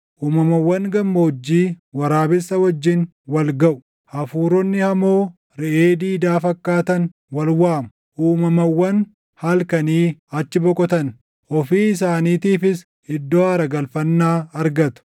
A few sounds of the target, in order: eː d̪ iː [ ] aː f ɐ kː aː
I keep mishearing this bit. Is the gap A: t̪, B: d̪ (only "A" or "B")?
B